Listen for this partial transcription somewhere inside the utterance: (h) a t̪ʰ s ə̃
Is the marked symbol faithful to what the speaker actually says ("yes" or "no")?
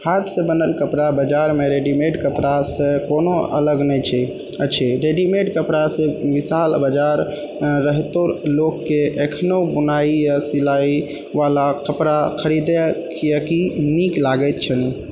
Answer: yes